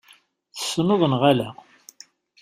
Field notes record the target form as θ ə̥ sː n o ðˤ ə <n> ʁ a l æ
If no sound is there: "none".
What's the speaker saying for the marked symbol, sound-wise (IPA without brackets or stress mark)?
n